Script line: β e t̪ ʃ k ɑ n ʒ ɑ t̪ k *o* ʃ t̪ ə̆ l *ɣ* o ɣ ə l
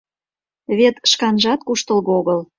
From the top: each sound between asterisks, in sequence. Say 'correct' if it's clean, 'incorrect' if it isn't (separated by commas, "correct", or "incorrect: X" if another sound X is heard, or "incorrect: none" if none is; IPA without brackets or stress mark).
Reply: incorrect: u, correct